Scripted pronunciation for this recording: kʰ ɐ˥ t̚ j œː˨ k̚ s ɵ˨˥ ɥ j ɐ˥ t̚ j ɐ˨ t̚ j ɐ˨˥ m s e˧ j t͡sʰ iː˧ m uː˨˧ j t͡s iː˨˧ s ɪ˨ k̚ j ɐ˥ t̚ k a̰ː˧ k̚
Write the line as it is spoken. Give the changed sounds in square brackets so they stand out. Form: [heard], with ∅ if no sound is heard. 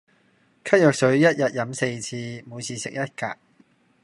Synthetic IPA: kʰ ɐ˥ t̚ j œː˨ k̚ s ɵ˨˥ ɥ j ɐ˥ t̚ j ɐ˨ t̚ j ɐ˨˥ m s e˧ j t͡sʰ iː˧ m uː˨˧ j [t͡sʰ] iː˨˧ s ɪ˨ k̚ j ɐ˥ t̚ k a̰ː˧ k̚